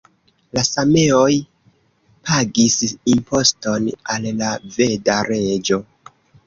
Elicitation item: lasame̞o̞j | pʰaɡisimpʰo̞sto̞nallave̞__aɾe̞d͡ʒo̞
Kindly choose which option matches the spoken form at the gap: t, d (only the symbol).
d